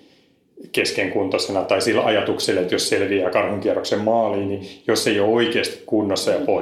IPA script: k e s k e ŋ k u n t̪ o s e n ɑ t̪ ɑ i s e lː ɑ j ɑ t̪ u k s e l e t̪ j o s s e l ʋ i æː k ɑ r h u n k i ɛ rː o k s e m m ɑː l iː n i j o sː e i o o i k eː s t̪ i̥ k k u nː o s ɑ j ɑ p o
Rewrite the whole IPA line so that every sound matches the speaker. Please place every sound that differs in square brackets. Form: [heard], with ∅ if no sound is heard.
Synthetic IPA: k e s k e ŋ k u n t̪ o s e n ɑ t̪ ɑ i s [i] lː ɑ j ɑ t̪ u k s e l e t̪ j o s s e l ʋ i æː k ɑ r h u [ŋ] k i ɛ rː o k s e m m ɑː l iː n i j o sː e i o o i k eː s t̪ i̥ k k u nː o [sː] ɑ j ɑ p o